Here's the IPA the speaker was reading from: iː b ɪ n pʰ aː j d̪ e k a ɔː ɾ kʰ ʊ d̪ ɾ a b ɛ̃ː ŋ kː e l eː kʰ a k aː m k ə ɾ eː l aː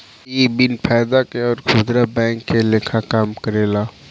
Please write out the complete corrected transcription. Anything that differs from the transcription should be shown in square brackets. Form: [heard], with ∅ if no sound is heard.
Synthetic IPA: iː b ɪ n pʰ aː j d̪ [a] k [e] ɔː ɾ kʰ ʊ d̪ ɾ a b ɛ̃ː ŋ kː e l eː kʰ a k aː m k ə ɾ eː l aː